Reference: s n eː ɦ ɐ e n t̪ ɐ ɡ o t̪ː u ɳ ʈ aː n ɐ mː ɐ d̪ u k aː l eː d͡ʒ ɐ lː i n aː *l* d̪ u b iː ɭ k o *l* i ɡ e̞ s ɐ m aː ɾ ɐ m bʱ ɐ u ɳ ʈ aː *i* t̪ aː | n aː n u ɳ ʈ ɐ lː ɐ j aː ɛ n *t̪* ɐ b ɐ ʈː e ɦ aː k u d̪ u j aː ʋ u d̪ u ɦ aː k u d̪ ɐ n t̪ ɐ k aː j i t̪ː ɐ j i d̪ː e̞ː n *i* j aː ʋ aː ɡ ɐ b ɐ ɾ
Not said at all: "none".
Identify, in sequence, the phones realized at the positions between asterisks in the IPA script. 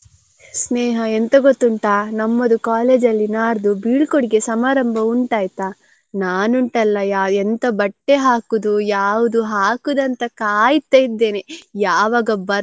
ɾ, ɽ, j, t̪, e

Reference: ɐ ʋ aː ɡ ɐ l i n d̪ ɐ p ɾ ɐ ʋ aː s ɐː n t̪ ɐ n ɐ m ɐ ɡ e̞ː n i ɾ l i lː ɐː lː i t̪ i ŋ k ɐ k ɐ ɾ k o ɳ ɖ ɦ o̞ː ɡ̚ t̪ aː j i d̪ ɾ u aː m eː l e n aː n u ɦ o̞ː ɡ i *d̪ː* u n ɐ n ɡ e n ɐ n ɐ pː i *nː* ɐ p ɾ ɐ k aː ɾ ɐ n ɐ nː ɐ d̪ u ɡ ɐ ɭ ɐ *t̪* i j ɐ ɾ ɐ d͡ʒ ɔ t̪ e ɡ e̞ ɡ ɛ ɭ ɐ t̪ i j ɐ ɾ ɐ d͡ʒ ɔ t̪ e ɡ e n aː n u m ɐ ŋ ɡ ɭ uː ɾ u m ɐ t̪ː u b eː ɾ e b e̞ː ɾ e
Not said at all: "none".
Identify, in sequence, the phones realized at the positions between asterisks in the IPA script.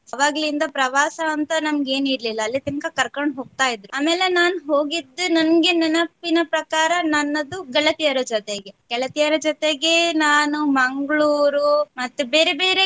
d̪ː, n, t̪

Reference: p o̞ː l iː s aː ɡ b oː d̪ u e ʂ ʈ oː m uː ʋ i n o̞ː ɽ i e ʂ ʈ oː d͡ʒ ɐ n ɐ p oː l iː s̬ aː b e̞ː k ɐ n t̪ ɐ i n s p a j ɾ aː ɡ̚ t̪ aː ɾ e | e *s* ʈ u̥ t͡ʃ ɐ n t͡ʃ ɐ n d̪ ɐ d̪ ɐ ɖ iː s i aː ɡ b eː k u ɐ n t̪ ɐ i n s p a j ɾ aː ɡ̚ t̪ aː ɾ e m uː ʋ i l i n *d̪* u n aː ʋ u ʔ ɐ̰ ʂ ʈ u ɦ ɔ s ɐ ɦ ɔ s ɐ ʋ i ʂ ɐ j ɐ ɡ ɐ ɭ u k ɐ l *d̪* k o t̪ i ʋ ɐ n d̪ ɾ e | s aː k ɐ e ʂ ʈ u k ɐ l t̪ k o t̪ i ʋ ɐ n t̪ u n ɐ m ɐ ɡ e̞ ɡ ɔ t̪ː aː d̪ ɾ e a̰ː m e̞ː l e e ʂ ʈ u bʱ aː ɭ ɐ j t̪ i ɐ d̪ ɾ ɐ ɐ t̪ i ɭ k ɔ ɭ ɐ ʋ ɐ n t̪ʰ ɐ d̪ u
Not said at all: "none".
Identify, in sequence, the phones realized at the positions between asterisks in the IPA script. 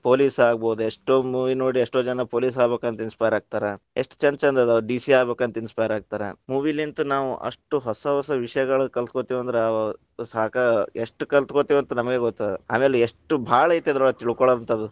ʂ, t̪, t̪

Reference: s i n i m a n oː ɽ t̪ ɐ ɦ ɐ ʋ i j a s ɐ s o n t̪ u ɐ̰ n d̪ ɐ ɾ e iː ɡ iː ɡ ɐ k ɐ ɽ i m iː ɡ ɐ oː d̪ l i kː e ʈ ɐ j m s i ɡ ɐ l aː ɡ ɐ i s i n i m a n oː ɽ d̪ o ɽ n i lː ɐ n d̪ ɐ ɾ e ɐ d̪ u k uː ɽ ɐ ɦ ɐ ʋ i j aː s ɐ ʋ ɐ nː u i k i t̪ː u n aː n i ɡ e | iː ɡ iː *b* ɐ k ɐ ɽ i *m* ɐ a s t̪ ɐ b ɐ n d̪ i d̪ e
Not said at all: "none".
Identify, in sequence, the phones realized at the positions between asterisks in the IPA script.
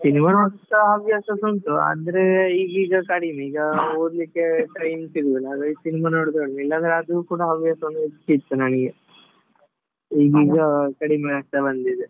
ɡ, m

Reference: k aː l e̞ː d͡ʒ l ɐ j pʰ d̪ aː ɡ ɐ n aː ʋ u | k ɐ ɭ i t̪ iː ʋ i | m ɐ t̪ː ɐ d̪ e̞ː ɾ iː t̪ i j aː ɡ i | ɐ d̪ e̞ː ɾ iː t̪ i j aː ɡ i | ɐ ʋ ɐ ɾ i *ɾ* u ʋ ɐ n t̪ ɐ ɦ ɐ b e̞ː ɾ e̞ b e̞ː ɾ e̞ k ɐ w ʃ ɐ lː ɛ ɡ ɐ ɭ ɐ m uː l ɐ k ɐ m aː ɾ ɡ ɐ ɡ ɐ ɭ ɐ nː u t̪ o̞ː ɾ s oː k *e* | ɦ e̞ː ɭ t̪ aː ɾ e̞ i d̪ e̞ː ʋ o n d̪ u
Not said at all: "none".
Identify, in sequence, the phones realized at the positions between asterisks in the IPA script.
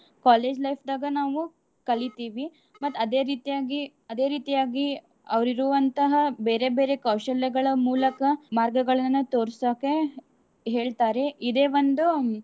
ɾ, e

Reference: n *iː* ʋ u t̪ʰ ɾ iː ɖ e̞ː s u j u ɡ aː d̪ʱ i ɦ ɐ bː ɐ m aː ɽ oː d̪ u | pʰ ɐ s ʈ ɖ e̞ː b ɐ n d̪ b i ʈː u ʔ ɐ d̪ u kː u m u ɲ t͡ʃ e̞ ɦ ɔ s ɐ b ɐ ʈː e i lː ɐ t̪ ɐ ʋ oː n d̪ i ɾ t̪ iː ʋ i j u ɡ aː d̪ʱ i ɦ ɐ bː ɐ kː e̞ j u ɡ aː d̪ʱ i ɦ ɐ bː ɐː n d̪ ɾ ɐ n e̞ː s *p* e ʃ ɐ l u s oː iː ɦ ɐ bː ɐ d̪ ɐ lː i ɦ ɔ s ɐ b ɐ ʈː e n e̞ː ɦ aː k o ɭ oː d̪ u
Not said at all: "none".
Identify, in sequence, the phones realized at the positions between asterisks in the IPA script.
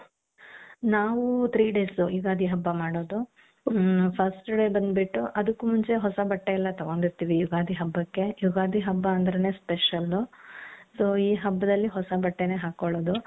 aː, p

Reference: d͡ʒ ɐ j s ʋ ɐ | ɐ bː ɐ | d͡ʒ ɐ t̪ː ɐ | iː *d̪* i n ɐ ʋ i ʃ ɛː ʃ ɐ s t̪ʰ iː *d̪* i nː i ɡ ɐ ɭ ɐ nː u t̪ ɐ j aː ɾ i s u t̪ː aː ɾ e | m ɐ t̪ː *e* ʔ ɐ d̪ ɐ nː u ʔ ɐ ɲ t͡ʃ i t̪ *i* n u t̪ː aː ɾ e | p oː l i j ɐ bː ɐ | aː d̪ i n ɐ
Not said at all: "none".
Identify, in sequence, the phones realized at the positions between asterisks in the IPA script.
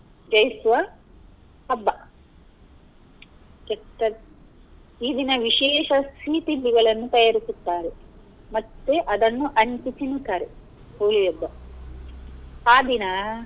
d̪, t̪, e, i

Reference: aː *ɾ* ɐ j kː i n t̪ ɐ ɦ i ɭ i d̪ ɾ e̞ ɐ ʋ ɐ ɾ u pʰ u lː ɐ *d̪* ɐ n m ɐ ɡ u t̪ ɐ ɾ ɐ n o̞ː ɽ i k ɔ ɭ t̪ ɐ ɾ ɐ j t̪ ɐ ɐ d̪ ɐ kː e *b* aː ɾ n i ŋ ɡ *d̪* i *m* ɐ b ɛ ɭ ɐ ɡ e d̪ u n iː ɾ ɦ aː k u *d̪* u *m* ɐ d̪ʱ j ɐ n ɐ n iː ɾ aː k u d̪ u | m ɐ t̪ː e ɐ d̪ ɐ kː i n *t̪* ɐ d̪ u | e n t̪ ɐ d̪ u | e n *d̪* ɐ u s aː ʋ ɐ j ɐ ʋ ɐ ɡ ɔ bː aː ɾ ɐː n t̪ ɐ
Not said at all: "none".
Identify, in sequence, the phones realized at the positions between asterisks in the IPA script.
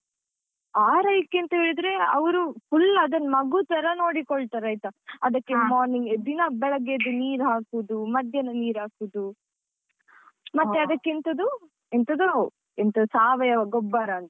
ɾ, d̪, m, d̪, n, d̪, m, t̪, t̪

